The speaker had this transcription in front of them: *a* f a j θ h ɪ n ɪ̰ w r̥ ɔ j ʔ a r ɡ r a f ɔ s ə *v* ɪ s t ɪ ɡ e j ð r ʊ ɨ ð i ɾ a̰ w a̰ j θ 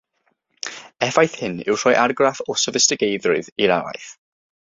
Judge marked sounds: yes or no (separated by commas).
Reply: no, yes